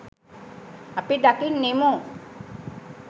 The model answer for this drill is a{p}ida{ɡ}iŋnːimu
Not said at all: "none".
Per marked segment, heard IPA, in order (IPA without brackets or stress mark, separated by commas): p, k